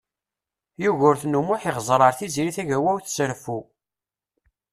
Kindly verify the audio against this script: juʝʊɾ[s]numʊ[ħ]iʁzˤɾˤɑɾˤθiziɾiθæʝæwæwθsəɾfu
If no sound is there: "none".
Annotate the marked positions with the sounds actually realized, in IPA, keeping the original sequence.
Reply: θ, ħ

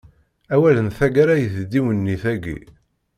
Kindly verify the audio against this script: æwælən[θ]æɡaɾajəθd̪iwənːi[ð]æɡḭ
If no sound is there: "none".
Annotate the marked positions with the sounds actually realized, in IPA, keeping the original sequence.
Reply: θ, θ

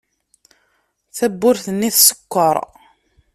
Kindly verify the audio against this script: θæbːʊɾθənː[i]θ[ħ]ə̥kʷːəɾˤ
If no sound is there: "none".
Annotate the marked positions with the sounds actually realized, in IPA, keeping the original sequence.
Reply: i, s

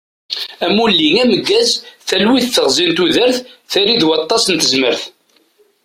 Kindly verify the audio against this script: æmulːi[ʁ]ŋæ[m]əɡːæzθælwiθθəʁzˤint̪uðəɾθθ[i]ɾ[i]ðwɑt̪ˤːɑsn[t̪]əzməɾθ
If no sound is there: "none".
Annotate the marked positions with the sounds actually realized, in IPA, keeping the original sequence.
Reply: none, m, æ, i, t̪

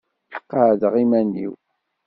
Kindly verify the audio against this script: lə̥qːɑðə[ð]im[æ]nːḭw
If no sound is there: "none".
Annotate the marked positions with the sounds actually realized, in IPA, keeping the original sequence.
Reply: ʁ, æ

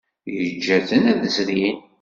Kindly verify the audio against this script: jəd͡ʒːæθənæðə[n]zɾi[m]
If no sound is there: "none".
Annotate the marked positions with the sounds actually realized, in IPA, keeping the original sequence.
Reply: none, n

